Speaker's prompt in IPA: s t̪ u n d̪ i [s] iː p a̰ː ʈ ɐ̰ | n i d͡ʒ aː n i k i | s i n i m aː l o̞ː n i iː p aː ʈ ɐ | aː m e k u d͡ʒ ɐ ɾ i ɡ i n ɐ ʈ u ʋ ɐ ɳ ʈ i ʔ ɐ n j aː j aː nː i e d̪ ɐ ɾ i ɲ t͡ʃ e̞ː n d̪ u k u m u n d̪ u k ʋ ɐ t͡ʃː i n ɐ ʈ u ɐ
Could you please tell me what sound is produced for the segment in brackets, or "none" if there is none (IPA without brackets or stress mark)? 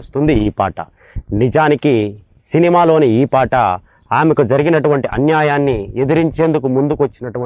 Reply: none